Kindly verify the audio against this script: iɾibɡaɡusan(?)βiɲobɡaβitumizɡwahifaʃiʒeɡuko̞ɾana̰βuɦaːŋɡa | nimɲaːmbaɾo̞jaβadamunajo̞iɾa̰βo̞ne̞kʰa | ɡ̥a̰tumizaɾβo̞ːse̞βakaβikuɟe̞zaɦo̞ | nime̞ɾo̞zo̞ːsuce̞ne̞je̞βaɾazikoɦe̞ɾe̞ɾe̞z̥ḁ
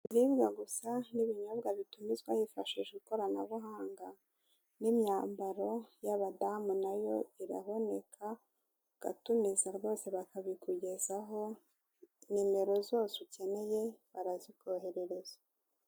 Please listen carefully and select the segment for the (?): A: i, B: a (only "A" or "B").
A